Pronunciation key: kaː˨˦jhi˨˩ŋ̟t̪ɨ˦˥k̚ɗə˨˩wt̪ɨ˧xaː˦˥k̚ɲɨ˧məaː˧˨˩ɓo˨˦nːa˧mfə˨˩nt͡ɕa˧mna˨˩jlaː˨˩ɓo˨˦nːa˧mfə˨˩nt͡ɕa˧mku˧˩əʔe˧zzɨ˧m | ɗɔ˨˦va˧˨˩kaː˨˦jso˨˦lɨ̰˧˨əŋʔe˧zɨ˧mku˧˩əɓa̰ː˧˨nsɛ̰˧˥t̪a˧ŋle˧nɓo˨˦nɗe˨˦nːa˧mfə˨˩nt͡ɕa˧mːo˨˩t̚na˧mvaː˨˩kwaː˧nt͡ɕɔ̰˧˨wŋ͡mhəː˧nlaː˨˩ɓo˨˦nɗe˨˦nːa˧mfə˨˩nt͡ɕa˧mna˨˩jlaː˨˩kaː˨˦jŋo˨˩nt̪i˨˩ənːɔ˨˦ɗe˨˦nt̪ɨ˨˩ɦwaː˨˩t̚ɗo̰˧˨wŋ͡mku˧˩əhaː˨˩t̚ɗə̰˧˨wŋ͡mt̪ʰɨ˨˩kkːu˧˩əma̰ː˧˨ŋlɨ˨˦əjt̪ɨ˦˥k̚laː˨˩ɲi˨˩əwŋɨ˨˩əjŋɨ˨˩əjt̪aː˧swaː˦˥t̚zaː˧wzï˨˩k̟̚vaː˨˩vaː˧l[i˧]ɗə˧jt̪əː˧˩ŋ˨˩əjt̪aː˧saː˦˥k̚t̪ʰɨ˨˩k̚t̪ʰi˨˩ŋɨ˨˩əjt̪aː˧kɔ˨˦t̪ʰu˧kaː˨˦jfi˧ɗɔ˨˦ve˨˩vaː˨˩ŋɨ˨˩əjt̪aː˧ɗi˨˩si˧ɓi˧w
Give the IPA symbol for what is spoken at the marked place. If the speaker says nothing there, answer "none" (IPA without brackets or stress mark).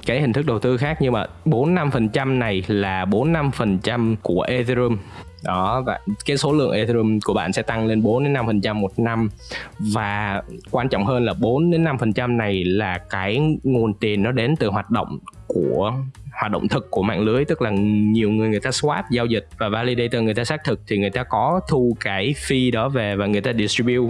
i˧